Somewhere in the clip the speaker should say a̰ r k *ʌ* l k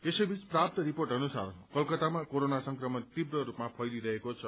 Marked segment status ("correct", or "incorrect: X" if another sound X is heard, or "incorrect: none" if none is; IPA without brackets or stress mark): correct